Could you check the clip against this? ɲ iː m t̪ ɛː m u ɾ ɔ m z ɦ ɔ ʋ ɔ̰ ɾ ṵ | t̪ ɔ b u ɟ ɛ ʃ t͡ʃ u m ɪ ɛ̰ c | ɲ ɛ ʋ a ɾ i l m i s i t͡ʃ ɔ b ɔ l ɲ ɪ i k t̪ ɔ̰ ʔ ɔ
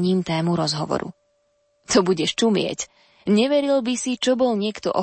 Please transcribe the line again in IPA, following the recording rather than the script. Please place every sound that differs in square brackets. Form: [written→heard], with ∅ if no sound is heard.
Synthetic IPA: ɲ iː m t̪ ɛː m u ɾ ɔ [m→∅] z ɦ ɔ ʋ ɔ̰ ɾ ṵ | t̪ ɔ b u ɟ ɛ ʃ t͡ʃ u m ɪ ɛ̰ c | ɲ ɛ ʋ [a→ɛ] ɾ i l [m→b] i s i t͡ʃ ɔ b ɔ l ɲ ɪ [i→ɛ] k t̪ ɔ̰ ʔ ɔ